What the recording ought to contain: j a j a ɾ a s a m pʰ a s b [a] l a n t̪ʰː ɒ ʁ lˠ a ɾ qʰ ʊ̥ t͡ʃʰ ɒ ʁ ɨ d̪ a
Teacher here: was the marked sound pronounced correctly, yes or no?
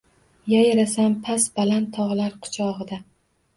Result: yes